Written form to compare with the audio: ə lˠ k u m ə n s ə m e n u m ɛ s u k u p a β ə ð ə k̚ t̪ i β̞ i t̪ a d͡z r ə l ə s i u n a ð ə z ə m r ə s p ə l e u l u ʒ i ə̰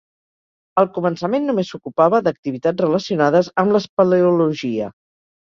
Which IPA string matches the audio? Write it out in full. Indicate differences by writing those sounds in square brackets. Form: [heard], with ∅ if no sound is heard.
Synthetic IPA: ə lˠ k u m ə n s ə m e [nː] u m [e] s u k u p a β ə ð ə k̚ t̪ i β̞ i t̪ a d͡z r ə l ə s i u n a ð ə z ə m [l] ə s p ə l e u l u ʒ i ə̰